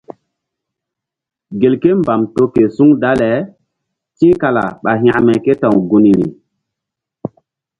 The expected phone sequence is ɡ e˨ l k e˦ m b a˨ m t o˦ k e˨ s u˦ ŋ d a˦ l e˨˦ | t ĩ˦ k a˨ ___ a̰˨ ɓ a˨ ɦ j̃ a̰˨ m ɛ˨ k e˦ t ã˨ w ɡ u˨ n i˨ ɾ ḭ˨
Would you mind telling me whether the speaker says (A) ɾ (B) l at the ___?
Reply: B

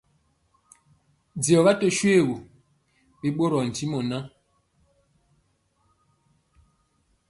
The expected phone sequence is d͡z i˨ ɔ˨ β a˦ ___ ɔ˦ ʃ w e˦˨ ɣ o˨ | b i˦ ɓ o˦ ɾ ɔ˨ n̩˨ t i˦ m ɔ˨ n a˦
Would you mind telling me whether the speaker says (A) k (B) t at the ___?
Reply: B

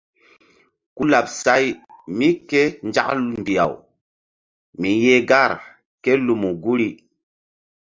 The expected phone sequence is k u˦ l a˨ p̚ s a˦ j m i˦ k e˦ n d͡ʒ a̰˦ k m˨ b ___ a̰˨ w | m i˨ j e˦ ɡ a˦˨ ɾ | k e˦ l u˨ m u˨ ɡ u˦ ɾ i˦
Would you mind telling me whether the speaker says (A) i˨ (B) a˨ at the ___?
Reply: A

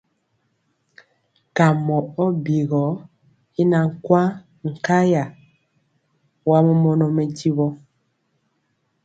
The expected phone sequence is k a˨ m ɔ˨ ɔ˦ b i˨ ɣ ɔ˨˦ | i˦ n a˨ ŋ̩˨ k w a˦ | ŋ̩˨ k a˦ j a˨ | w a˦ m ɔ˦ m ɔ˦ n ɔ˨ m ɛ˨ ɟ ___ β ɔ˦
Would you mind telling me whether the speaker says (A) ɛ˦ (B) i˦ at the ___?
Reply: B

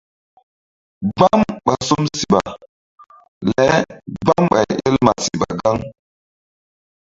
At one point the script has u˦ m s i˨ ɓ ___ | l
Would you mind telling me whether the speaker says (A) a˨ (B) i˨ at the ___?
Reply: A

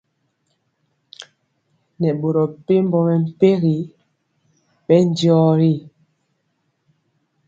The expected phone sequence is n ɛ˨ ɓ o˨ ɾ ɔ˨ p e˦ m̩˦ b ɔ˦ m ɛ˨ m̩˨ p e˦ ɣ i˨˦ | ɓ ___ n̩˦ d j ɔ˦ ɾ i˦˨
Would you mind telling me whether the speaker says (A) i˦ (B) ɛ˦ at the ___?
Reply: B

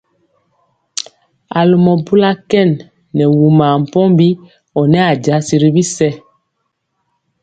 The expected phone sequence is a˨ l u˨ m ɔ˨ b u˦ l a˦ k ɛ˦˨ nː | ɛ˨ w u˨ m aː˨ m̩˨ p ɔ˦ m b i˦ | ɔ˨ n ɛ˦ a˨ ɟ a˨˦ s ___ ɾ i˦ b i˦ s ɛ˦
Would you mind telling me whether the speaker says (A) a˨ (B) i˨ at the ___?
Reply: B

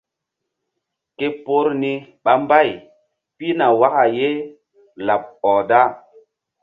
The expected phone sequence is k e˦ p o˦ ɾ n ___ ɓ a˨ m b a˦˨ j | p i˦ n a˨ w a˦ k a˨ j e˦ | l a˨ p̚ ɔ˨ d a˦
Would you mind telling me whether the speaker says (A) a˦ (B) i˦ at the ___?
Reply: B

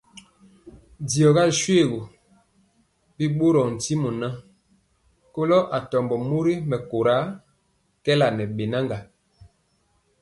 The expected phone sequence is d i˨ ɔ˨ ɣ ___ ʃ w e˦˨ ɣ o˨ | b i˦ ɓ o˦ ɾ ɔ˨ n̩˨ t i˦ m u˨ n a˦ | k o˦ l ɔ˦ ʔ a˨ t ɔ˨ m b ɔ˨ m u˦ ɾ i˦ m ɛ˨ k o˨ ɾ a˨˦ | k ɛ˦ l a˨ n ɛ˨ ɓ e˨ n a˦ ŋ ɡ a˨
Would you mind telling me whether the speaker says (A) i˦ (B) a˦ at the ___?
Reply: B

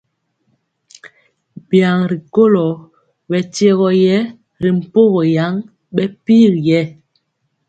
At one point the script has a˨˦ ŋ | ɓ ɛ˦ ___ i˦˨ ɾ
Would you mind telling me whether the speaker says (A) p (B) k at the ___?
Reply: A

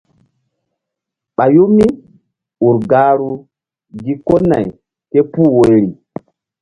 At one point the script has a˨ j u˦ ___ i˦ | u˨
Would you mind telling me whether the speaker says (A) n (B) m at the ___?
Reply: B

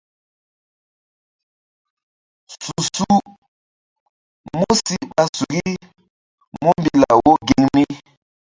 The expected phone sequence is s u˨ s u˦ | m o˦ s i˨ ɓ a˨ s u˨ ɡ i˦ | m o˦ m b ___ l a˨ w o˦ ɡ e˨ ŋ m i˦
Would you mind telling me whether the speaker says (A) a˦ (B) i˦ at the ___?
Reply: B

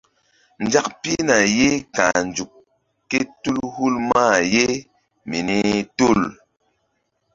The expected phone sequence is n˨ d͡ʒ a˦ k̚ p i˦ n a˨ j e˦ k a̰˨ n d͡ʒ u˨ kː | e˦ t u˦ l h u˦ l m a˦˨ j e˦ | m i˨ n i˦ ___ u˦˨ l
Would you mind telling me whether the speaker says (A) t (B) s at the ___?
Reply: A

